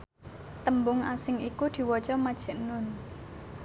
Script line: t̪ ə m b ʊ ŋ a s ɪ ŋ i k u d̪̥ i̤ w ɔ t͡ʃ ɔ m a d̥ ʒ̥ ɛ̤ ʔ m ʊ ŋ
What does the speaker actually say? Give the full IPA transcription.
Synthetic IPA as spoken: t̪ ə m b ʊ ŋ a s ɪ ŋ i k u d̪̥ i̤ w ɔ t͡ʃ ɔ m a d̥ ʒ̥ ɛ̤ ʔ n ʊ n